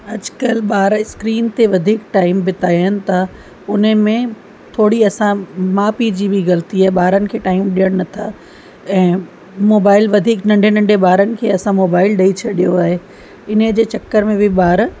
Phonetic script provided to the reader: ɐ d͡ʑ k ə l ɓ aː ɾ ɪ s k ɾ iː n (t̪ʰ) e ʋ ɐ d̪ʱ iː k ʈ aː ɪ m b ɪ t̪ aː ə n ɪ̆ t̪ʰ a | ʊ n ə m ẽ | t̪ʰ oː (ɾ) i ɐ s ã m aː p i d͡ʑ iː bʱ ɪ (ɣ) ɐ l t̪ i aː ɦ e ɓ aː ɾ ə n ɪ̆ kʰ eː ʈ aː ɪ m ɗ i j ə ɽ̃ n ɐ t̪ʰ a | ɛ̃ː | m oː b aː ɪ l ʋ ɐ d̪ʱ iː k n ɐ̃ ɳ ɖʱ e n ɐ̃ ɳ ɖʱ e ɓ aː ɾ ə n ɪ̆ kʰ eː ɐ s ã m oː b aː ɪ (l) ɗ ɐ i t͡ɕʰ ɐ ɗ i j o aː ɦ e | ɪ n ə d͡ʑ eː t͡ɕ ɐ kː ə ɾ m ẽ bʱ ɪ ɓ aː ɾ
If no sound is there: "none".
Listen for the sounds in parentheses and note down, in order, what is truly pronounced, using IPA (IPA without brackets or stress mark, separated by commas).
t̪, ɽ, ɣ, l